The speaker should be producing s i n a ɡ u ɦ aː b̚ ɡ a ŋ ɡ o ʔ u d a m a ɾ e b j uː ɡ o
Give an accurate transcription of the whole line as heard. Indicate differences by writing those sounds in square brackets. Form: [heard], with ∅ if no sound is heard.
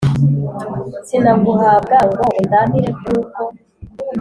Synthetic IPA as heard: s i n a ɡ u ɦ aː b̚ ɡ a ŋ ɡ o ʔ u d a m [i] ɾ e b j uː [k] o